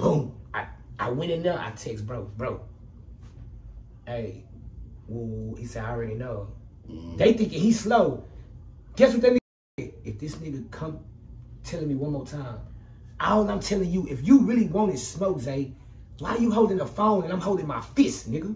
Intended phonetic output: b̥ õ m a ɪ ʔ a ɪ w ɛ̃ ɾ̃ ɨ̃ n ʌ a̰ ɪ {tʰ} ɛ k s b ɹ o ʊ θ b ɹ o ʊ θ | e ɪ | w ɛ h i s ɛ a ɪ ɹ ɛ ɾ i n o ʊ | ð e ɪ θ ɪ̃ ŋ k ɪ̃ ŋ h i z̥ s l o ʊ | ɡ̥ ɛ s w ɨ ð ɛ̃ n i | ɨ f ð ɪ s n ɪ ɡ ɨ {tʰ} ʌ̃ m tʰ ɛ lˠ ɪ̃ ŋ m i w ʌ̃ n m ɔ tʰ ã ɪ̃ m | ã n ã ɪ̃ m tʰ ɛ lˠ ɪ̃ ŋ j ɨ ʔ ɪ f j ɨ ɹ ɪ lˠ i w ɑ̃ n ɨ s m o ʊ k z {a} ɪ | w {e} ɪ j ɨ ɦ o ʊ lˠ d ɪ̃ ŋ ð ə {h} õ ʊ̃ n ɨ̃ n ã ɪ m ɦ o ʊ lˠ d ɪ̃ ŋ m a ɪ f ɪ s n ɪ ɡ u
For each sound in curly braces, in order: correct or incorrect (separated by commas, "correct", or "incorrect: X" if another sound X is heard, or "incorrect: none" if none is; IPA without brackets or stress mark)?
correct, incorrect: kʰ, incorrect: e, incorrect: a, incorrect: f